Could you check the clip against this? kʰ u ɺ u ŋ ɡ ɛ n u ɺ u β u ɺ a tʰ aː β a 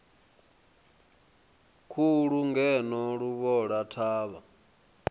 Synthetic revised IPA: kʰ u ɺ u ŋ ɡ ɛ n ɔ ɺ u β ɔ ɺ a tʰ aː β a